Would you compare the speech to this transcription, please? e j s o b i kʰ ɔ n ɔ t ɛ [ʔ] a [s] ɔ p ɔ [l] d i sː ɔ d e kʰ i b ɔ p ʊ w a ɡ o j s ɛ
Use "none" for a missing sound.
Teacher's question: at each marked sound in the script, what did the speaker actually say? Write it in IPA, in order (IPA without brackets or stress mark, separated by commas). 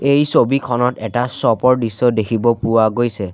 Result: t, s, ɹ